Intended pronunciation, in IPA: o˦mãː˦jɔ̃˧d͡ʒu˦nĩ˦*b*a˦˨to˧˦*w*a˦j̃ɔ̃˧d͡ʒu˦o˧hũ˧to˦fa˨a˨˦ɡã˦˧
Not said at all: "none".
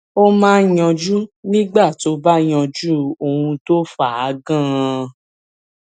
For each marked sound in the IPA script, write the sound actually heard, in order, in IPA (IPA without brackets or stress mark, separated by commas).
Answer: ɡ͡b, b